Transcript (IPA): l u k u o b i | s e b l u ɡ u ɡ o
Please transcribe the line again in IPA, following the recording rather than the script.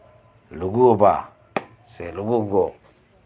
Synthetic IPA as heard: l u ɡ u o b a | s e l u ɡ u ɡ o